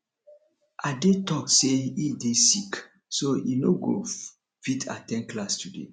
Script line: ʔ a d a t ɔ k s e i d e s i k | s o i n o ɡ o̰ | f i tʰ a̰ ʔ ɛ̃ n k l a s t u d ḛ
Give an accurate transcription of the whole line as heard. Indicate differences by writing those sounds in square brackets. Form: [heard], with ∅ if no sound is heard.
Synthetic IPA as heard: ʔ a d [e] t ɔ k s e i d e s i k | s o i n o ɡ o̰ | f i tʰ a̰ [t] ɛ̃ n k l a s t u d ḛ